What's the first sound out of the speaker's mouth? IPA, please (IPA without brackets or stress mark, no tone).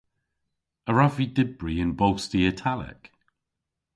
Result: ə